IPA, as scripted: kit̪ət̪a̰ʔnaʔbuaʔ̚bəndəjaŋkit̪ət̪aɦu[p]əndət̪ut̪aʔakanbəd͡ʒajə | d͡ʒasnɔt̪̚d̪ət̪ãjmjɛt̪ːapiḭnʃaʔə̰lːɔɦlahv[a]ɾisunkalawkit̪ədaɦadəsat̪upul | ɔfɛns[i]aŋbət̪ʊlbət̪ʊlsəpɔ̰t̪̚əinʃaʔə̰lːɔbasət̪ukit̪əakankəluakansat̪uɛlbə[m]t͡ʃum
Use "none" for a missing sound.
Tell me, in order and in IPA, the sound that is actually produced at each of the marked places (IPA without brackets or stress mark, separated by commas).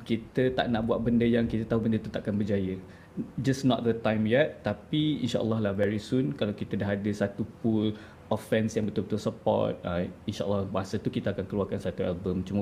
b, ɛ, j, m